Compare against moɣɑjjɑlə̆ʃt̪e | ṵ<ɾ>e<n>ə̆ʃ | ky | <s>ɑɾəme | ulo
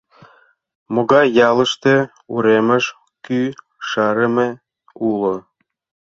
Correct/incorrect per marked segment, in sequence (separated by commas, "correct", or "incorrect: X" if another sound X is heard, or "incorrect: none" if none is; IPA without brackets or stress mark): correct, incorrect: m, incorrect: ʃ